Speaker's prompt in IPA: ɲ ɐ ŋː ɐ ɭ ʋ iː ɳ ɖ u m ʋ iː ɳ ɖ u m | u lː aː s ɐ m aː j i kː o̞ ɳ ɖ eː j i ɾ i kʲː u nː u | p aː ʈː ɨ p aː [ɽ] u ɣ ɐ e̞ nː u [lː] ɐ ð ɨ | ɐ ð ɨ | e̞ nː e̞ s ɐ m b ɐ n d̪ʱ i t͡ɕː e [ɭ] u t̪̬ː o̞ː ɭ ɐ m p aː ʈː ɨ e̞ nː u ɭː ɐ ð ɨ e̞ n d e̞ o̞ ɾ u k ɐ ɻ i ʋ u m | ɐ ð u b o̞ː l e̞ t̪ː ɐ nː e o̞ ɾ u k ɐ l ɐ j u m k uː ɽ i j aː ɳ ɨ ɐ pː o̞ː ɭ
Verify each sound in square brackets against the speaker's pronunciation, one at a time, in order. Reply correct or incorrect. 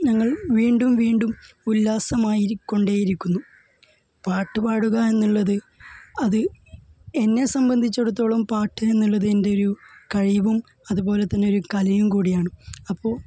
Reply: correct, incorrect, incorrect

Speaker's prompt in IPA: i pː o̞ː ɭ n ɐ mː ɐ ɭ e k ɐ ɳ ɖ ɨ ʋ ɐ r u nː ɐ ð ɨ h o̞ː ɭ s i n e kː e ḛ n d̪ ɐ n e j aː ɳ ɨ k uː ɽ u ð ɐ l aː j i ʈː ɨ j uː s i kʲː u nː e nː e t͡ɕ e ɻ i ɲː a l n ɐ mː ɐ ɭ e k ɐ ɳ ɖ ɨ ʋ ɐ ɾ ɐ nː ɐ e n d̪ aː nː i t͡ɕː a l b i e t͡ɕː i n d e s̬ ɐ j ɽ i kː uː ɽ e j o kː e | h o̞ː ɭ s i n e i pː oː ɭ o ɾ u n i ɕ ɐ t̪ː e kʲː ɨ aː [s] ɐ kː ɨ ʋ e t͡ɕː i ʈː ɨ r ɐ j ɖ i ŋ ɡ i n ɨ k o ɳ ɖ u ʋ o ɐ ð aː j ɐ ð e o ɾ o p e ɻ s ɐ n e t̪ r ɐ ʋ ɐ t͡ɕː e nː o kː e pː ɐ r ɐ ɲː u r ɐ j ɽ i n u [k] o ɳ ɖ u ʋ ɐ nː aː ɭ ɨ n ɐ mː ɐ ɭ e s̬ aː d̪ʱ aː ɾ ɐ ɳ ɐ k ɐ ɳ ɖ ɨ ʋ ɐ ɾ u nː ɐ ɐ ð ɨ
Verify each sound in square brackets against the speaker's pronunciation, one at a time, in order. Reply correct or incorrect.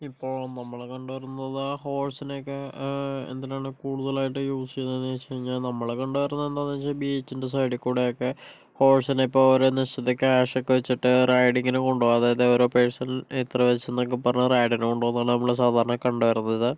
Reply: incorrect, correct

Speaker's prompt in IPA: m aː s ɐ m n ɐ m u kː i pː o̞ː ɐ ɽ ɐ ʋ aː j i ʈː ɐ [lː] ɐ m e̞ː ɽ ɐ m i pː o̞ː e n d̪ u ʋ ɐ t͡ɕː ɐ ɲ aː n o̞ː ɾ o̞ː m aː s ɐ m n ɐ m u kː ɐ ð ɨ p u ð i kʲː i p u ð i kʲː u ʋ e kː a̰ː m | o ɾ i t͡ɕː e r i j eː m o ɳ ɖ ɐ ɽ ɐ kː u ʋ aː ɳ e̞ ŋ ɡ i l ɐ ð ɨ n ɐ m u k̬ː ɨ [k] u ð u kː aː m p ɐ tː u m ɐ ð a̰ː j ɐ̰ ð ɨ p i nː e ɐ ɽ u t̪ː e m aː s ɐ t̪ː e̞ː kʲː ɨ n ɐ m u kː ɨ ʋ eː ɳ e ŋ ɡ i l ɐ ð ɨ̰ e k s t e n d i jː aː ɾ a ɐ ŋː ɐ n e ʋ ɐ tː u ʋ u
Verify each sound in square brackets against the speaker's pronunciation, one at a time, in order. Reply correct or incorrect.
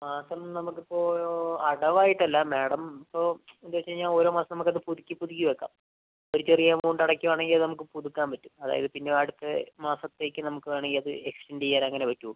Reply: correct, incorrect

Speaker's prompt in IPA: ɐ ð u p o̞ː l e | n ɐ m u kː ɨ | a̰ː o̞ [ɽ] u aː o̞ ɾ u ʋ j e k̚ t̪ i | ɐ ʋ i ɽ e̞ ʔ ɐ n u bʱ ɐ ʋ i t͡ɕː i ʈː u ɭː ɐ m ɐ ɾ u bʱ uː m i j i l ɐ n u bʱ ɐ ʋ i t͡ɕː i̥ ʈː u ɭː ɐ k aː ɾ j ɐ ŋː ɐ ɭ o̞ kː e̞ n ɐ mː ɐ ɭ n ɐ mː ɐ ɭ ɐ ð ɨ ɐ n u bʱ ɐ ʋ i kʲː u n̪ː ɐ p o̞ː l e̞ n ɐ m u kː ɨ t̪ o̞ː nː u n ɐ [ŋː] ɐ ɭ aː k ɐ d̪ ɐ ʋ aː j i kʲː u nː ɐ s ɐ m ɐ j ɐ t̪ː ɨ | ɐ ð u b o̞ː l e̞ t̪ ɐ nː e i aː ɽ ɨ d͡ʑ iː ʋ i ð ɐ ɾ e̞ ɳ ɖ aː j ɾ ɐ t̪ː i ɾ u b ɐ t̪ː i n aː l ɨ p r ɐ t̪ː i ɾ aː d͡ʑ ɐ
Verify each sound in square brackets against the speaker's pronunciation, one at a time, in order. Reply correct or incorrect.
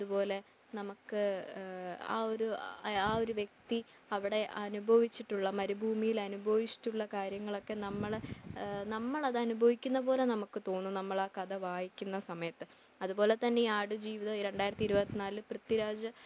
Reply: incorrect, incorrect

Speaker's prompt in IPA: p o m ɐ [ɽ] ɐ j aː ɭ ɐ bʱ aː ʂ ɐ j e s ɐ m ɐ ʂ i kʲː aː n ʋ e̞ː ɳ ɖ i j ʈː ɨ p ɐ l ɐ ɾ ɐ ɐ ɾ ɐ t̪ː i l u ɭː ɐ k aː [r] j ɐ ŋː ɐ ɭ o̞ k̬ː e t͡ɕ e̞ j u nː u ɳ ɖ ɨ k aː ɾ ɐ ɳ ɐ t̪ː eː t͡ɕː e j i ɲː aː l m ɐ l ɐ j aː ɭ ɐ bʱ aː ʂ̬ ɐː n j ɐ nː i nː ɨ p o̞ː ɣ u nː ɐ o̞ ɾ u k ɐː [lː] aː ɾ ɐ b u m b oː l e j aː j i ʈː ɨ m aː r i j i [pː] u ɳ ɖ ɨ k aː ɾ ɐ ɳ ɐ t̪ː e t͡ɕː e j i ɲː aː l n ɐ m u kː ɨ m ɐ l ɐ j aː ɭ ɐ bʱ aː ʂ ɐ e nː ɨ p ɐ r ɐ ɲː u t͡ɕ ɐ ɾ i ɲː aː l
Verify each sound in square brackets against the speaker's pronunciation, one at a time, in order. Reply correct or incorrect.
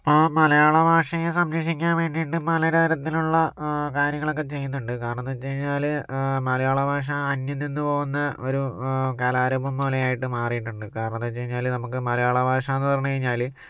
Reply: incorrect, incorrect, incorrect, incorrect

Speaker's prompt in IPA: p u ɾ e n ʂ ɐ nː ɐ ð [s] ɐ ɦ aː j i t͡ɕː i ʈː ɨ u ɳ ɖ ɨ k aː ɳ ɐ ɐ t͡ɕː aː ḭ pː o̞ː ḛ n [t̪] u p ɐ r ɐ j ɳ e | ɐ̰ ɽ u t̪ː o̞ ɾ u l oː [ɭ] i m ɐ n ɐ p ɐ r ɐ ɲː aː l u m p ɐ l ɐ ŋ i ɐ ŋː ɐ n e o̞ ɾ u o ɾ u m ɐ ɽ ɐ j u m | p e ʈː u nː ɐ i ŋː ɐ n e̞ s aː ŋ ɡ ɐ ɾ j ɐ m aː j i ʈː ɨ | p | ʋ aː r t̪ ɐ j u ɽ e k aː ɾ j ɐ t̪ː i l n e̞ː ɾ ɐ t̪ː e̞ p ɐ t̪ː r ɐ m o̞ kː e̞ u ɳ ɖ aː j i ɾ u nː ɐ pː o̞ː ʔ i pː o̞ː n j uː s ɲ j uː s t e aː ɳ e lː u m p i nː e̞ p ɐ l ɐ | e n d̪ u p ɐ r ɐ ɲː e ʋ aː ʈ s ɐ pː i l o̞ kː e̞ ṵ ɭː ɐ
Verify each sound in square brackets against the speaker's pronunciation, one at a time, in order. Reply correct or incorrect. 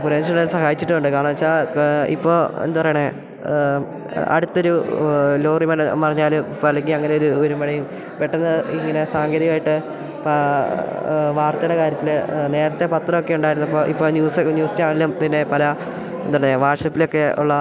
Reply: correct, incorrect, incorrect

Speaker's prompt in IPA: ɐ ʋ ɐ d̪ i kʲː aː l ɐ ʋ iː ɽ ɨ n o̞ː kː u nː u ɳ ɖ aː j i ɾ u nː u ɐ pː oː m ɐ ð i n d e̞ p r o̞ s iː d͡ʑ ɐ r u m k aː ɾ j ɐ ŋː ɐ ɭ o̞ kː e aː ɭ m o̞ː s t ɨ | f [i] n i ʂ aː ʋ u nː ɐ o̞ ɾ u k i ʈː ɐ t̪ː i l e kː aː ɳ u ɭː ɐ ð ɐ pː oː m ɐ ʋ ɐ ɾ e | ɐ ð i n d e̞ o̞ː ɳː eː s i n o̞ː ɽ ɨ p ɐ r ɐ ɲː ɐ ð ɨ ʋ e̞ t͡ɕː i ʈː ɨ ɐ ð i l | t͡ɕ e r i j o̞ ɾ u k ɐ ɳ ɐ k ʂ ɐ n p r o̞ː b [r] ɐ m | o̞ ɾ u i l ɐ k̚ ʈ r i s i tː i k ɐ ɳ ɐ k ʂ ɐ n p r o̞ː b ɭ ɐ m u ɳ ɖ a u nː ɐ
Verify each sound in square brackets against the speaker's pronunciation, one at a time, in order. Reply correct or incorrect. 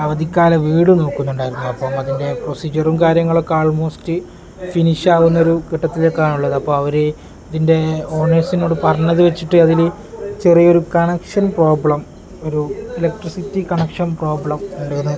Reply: correct, incorrect

